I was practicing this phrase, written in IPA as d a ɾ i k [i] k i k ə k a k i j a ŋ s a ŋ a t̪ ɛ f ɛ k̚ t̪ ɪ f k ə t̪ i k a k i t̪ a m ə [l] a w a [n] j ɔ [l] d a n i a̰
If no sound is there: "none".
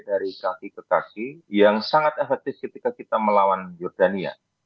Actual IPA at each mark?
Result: a, l, n, r

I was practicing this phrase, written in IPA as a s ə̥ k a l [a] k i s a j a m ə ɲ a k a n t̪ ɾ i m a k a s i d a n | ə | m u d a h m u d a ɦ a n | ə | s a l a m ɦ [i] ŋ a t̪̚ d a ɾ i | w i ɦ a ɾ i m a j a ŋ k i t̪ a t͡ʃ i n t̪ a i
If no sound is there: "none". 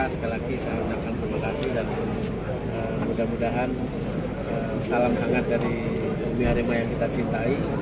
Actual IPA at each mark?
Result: a, a

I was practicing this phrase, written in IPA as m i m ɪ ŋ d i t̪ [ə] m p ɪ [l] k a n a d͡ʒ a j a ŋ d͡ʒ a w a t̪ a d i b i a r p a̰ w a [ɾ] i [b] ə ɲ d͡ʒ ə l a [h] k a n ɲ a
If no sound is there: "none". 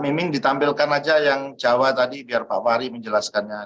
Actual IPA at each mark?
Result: a, l, ɾ, m, s

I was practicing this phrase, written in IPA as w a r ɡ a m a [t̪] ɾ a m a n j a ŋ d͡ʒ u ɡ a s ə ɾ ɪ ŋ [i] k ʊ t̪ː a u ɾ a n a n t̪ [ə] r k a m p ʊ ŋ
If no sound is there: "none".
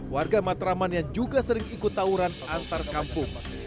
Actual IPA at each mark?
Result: t̪, i, a

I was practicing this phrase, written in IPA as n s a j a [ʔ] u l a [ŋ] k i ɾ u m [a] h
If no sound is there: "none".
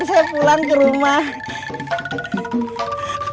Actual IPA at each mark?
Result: p, ŋ, a

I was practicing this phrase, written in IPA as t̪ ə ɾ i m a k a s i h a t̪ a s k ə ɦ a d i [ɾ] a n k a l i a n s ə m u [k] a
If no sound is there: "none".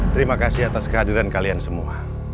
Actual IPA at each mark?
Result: ɾ, none

